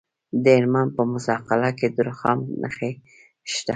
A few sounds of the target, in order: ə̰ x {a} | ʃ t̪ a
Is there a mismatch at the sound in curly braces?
yes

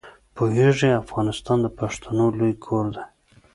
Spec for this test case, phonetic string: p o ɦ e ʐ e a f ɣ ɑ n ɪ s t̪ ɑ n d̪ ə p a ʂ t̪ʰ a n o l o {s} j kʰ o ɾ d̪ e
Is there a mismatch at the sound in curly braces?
yes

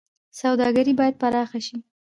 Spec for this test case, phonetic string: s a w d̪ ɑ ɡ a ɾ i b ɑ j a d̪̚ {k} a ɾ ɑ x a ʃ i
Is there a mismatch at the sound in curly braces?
yes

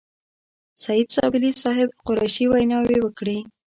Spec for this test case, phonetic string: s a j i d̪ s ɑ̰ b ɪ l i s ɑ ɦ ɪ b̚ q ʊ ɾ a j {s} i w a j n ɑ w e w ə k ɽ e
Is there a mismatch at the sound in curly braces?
yes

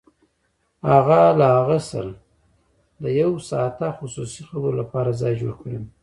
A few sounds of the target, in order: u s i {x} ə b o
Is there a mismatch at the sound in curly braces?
no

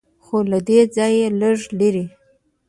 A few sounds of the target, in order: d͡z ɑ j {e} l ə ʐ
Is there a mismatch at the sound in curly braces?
no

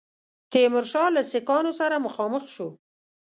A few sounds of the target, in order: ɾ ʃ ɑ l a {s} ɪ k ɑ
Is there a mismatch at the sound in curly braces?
no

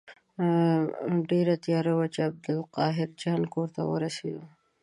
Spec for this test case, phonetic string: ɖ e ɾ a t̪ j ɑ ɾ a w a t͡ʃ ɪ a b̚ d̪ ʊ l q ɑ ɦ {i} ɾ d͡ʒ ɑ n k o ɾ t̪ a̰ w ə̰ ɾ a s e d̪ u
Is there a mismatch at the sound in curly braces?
yes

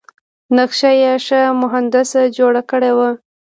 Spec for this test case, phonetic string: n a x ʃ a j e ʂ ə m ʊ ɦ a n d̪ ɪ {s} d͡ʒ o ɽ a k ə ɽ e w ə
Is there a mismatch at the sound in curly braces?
no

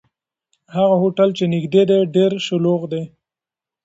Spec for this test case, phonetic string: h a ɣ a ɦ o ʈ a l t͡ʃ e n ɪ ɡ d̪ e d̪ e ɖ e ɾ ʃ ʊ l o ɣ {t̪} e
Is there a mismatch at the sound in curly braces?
yes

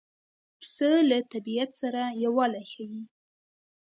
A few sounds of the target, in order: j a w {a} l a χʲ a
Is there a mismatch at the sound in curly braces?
no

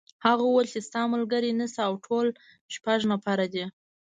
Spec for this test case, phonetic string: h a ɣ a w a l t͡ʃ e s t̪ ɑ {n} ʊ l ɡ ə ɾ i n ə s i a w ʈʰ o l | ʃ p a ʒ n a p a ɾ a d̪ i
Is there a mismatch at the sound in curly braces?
yes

